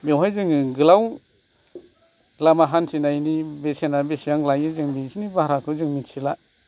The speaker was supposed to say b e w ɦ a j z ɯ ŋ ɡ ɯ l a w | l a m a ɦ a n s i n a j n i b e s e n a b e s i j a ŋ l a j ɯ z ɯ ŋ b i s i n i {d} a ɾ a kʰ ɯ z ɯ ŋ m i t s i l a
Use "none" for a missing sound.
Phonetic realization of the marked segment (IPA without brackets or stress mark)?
b